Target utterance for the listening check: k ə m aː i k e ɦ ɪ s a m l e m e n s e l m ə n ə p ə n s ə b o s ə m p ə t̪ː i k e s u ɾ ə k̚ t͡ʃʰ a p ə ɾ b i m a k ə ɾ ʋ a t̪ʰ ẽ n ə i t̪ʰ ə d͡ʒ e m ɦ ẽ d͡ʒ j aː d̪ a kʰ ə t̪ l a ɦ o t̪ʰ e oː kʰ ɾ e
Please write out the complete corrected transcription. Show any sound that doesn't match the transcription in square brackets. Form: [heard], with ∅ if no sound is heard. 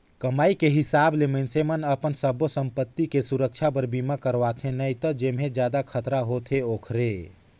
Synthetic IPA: k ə m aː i k e ɦ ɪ s a [b] l e m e n s e [∅] m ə n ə p ə n s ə b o s ə m p ə t̪ː i k e s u ɾ ə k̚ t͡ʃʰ a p ə ɾ b i m a k ə ɾ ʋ a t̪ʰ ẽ n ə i [t̪] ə d͡ʒ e m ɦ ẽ d͡ʒ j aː d̪ a kʰ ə t̪ [ɾ] a ɦ o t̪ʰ e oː kʰ ɾ e